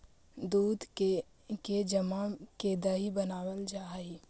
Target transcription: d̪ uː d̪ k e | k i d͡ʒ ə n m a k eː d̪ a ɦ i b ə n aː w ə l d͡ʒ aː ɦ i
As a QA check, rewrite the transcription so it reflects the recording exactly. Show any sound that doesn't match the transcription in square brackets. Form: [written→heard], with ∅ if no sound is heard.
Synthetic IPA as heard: d̪ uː d̪ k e | k [i→e] d͡ʒ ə [n→∅] m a k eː d̪ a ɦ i b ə n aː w ə l d͡ʒ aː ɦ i